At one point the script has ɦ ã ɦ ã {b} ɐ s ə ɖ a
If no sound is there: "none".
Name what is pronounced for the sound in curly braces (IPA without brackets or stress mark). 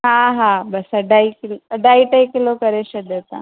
b